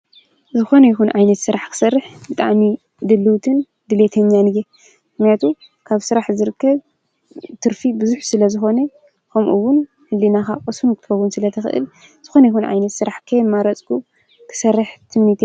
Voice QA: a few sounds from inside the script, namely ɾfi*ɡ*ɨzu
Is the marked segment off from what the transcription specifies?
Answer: yes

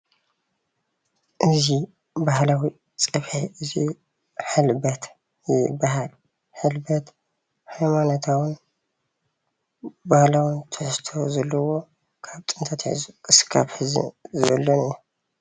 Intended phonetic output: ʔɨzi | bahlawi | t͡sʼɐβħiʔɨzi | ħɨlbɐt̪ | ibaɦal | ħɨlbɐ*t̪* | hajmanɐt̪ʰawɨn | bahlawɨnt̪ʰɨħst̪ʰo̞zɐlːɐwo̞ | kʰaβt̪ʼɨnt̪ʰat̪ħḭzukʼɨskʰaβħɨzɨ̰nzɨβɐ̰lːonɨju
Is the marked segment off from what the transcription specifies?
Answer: no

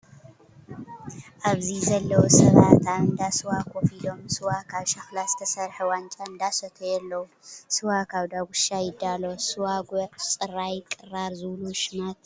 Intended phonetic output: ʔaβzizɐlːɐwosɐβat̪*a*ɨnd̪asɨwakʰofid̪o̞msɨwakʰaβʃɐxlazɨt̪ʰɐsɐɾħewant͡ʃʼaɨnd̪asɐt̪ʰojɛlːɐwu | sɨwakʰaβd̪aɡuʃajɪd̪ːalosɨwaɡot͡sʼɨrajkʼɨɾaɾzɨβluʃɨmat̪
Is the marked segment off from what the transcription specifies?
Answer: no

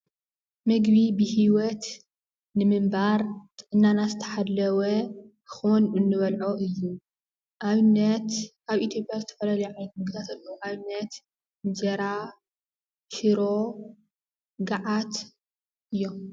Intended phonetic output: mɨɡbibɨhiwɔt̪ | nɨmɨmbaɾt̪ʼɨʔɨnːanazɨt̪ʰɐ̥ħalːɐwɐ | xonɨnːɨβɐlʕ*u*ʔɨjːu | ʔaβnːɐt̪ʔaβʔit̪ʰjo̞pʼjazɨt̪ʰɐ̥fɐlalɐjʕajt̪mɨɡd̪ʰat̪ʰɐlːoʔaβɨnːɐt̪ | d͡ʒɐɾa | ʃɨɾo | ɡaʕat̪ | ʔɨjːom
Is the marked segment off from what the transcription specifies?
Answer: yes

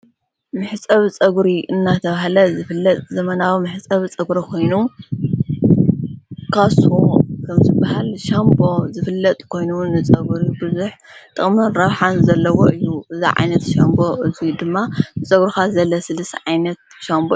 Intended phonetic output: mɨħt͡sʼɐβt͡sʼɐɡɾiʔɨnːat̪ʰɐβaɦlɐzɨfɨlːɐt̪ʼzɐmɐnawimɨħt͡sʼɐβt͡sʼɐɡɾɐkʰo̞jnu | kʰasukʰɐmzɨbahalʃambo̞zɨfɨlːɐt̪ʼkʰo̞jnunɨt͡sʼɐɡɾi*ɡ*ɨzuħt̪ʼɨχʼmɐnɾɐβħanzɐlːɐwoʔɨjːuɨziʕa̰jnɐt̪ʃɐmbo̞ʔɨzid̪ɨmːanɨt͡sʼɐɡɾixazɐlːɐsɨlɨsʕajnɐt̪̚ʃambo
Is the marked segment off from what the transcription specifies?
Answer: yes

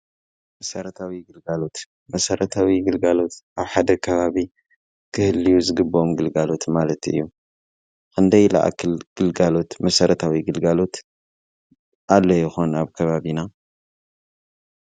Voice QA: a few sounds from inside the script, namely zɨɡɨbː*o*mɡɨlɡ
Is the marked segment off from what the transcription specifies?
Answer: no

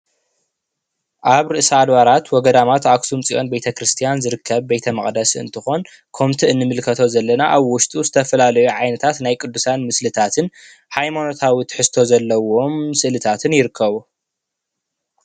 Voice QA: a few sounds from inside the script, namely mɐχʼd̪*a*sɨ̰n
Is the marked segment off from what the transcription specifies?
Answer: yes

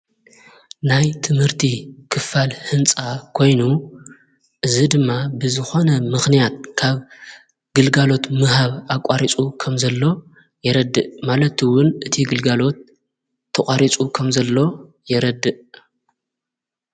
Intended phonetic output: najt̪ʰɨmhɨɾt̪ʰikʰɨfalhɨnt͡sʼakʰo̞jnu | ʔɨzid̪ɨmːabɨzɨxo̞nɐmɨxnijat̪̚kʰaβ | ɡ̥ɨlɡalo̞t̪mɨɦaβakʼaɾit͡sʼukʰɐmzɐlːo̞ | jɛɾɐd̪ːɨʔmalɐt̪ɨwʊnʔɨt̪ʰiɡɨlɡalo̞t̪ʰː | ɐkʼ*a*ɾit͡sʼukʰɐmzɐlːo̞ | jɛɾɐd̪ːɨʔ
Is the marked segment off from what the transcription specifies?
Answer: no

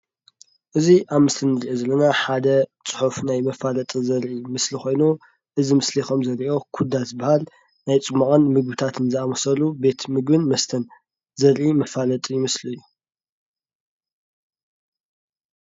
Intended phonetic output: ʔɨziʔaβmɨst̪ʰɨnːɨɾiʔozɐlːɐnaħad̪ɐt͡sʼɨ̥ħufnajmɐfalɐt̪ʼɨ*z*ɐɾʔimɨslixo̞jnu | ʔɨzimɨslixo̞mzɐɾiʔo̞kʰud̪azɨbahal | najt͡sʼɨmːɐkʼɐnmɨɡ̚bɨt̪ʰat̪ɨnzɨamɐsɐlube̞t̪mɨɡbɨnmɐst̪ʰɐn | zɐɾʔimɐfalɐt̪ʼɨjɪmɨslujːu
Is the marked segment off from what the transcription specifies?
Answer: no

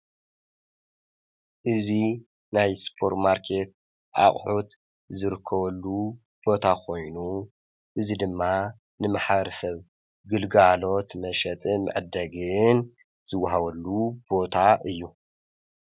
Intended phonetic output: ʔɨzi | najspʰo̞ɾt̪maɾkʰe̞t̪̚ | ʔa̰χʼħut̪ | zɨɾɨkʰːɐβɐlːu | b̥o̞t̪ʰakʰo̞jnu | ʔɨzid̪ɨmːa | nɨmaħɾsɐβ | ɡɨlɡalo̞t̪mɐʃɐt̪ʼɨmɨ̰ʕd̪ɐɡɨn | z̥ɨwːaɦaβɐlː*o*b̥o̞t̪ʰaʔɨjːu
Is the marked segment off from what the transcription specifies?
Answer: yes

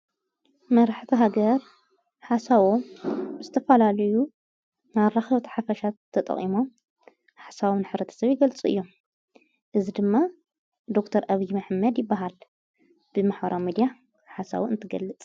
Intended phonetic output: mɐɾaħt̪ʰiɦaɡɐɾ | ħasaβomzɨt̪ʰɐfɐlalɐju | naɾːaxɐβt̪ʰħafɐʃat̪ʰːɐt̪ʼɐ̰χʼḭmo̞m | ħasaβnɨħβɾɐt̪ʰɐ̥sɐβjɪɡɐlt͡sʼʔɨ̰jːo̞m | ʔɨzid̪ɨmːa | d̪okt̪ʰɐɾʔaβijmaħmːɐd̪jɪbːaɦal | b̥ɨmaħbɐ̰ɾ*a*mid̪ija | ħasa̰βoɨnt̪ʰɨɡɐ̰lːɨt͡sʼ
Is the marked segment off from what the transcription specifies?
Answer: no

